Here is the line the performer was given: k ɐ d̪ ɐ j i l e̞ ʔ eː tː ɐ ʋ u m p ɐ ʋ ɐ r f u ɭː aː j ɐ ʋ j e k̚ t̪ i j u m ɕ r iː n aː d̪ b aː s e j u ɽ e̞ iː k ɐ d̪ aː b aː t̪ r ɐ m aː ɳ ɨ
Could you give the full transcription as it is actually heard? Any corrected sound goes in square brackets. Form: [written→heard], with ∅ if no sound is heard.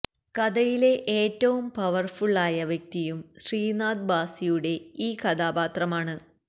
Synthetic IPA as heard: k ɐ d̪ ɐ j i l e̞ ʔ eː tː ɐ ʋ u m p ɐ ʋ ɐ r f u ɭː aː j ɐ ʋ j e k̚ t̪ i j u m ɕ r iː n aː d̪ b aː s [e→i] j u ɽ e̞ iː k ɐ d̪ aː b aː t̪ r ɐ m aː ɳ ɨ